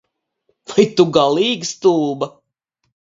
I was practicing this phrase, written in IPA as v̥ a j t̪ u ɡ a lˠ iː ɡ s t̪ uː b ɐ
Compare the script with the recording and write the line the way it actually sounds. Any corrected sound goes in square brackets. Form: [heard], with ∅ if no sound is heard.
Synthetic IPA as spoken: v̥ a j t̪ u ɡ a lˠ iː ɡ s t̪ uː b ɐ

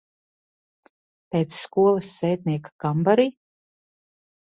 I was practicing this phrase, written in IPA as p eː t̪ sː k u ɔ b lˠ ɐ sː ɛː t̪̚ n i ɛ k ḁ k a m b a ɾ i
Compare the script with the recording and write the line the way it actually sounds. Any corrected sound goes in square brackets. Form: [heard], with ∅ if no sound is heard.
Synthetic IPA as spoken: p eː t̪ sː k u ɔ [∅] lˠ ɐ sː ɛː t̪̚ n i ɛ k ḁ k a m b a ɾ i

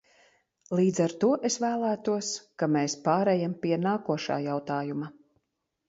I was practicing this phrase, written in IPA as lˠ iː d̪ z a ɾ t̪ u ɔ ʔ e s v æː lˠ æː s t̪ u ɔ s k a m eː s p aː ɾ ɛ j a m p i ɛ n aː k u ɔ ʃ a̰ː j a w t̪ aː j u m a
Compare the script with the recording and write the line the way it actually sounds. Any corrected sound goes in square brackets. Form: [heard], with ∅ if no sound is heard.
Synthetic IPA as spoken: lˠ iː d̪ z a ɾ t̪ u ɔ ʔ e s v æː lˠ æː [∅] t̪ u ɔ s k a m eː s p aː ɾ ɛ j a m p i ɛ n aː k u ɔ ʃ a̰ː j a w t̪ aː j u m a

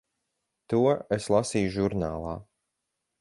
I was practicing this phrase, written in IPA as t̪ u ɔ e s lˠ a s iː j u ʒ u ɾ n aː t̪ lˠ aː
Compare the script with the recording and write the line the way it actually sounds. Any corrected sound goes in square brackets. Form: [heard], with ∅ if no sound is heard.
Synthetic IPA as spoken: t̪ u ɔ e s lˠ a s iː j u ʒ u ɾ n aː [∅] lˠ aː

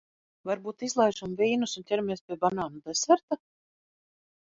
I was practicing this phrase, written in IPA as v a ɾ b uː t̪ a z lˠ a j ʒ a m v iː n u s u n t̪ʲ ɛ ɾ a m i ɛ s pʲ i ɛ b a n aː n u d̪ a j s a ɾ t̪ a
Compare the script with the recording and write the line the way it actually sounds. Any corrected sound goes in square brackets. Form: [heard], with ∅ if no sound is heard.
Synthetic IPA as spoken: v a ɾ b uː t̪ [i] z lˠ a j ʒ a m v iː n u s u n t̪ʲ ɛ ɾ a m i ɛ s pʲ i ɛ b a n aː n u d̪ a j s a ɾ t̪ a

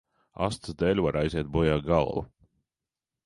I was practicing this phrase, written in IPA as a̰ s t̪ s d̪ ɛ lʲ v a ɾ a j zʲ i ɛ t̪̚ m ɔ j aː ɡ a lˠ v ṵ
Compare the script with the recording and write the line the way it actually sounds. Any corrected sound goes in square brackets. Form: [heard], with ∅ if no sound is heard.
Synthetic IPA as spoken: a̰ s t̪ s d̪ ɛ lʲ v a ɾ a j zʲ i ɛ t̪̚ [b] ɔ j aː ɡ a lˠ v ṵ

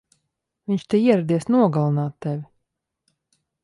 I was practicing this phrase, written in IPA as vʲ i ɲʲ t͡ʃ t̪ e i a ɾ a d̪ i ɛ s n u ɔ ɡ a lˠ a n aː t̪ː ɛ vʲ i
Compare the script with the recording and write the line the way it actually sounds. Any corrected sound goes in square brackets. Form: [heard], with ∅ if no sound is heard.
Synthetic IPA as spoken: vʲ i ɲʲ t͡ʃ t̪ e i [ɛ] ɾ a d̪ i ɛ s n u ɔ ɡ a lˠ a n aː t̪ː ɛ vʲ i

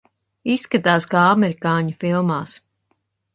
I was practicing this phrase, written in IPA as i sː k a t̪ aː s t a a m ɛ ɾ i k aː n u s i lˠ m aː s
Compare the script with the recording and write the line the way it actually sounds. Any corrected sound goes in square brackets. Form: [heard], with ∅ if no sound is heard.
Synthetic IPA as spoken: i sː k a t̪ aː s [k] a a m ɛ ɾ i k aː [ɲ] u [f] i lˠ m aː s

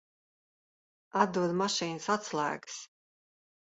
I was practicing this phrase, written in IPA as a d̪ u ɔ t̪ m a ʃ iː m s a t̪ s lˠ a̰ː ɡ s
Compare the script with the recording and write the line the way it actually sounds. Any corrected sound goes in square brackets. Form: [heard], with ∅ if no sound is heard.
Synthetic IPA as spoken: a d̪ u ɔ [d̪] m a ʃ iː [n] s a t̪ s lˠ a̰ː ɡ s

